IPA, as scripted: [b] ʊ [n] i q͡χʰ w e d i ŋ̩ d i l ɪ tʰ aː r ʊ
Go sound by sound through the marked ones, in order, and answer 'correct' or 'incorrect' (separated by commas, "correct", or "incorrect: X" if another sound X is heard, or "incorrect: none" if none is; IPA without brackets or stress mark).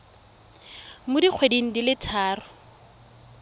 incorrect: m, incorrect: d